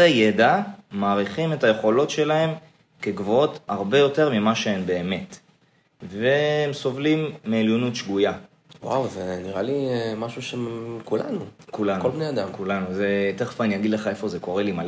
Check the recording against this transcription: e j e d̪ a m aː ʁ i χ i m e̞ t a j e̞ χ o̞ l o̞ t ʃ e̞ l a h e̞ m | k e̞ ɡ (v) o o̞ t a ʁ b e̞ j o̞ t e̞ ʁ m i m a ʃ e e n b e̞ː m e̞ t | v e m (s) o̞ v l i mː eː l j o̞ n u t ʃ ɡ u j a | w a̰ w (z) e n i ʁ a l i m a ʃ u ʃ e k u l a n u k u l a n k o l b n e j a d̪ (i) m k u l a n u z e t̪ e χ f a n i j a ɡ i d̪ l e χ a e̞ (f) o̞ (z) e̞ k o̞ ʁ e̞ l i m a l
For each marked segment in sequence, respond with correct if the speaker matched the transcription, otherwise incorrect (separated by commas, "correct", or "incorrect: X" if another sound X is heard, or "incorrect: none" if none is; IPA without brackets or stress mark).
correct, correct, correct, incorrect: a, correct, correct